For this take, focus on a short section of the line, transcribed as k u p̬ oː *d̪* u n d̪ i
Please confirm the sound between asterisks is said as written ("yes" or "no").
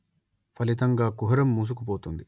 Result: no